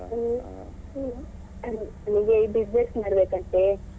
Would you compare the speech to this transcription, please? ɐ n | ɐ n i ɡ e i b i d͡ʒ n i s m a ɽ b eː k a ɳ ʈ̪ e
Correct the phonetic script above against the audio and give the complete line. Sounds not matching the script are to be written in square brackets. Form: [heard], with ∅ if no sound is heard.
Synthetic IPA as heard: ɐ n | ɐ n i ɡ e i b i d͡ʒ n [e] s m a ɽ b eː k [ɐ] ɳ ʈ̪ e